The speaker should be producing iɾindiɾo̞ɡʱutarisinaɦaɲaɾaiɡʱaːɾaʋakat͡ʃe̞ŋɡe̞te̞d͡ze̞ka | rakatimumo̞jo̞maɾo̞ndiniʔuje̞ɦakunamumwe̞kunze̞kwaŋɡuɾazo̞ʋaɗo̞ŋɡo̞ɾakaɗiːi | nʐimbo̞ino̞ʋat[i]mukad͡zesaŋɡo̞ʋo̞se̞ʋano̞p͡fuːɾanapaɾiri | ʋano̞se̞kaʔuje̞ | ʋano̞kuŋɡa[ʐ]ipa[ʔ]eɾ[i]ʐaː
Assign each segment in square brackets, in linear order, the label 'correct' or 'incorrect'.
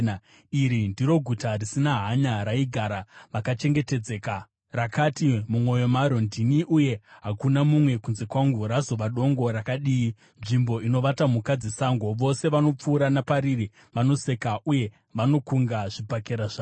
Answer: incorrect, correct, incorrect, incorrect

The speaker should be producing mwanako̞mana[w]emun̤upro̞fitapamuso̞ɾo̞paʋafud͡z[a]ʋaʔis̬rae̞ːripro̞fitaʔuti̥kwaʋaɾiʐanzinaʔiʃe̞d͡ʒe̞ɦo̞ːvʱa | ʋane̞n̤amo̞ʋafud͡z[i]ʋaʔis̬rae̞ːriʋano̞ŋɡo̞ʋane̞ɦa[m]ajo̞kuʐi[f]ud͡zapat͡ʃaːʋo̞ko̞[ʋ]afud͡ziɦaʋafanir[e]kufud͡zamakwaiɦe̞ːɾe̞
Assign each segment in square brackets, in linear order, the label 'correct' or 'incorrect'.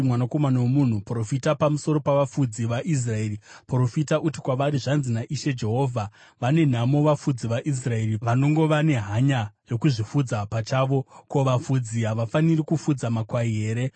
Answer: correct, incorrect, correct, incorrect, correct, correct, incorrect

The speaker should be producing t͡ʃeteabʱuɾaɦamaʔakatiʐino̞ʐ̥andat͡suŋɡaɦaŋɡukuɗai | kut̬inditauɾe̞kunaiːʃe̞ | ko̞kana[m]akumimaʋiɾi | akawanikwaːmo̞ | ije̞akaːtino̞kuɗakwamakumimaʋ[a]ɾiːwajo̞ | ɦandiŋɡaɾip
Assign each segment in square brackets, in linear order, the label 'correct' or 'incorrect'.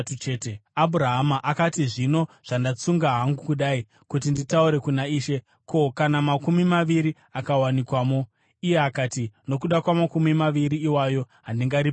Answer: correct, incorrect

